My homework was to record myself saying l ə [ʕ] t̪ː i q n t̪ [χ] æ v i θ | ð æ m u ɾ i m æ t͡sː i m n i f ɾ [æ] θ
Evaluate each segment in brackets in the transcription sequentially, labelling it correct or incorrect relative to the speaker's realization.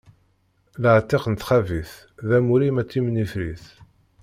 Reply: correct, correct, incorrect

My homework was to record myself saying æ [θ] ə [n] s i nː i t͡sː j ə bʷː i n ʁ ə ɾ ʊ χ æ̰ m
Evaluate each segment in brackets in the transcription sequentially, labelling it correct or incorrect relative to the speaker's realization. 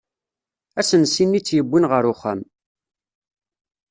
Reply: incorrect, correct

